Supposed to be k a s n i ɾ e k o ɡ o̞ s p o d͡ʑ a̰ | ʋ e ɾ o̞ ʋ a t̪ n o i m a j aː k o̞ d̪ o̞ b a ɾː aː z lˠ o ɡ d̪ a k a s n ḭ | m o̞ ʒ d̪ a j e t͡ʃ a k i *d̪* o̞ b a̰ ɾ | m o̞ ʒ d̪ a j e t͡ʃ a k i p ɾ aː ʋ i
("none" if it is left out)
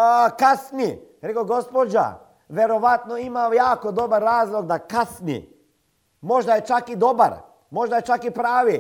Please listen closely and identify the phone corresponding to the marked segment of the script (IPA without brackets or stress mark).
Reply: d̪